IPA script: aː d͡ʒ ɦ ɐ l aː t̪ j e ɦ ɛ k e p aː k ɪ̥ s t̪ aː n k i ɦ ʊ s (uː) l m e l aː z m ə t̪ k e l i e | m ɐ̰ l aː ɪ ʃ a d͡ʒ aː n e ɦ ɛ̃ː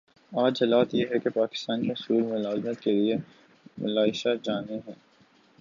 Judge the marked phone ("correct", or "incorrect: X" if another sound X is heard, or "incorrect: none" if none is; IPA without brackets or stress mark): correct